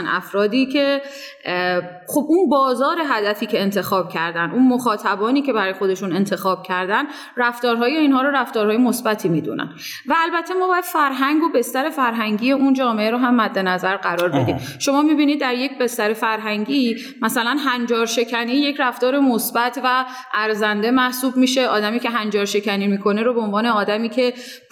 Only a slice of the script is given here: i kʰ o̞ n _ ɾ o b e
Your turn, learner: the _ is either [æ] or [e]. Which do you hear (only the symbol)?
e